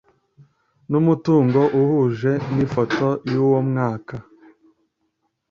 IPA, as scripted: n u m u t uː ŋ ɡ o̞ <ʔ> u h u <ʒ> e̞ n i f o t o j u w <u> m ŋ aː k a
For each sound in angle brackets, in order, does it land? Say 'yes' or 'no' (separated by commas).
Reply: yes, yes, no